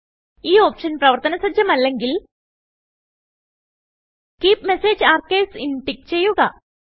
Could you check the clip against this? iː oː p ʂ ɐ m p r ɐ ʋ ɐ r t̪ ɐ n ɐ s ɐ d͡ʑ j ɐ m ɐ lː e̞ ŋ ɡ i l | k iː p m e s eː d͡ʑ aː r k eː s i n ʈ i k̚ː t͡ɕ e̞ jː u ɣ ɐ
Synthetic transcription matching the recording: iː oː p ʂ ɐ n p r ɐ ʋ ɐ r t̪ ɐ n ɐ s ɐ d͡ʑ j ɐ m ɐ lː e̞ ŋ ɡ i l | k iː p m e s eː d͡ʑ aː r k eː s i n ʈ i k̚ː t͡ɕ e̞ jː u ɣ ɐ